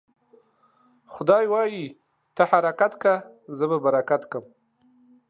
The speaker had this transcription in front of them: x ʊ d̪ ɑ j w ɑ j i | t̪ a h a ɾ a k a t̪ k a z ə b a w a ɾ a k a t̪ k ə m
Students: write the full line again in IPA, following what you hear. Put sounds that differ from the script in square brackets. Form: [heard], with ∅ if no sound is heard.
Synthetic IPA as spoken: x ʊ d̪ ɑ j w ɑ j i | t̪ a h a ɾ a k a t̪ k a z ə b a [b] a ɾ a k a t̪ k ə m